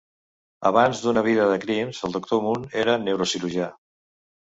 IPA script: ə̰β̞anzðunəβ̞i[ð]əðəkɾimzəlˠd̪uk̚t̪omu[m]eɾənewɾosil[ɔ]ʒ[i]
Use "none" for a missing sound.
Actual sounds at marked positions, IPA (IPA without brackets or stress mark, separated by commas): ð, n, u, a